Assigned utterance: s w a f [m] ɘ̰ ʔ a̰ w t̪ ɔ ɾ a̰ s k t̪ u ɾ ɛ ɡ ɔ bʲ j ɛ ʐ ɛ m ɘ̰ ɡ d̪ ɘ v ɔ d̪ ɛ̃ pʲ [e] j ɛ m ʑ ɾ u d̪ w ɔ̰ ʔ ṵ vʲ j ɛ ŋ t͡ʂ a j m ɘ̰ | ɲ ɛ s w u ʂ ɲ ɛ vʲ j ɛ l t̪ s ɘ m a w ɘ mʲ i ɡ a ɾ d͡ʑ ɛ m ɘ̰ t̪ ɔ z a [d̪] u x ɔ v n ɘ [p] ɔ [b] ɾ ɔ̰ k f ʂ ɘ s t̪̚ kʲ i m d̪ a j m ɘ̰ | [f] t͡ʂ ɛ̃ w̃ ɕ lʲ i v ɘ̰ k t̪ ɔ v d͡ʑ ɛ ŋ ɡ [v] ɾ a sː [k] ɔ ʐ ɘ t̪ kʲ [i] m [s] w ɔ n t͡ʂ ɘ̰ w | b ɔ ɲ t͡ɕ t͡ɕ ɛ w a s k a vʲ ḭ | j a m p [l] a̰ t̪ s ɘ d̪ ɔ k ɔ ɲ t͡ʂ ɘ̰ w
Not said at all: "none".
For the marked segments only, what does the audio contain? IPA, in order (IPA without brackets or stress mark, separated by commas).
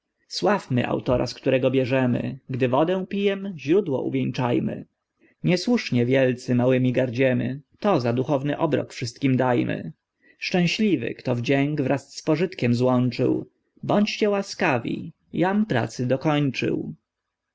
m, i, d̪, ʔ, b, ʂ, v, p, ɛ, z, ɾ